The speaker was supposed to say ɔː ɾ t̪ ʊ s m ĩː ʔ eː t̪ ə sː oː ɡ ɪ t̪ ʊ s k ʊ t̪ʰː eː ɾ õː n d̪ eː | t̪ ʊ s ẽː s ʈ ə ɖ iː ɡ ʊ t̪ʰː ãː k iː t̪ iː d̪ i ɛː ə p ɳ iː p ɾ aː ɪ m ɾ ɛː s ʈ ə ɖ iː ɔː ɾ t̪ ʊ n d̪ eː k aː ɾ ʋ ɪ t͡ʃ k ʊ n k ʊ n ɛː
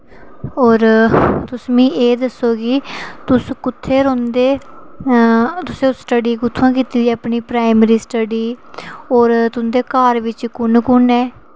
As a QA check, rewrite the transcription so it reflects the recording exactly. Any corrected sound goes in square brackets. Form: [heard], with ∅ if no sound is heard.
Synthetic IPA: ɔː ɾ t̪ ʊ s m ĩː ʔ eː [d̪] ə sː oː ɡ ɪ t̪ ʊ s k ʊ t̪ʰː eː ɾ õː n d̪ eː | t̪ ʊ s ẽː s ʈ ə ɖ iː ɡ ʊ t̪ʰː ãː k iː t̪ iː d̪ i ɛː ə p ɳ iː p ɾ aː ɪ m ɾ [iː] s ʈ ə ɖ iː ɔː ɾ t̪ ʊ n d̪ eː k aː ɾ ʋ ɪ t͡ʃ k ʊ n k ʊ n ɛː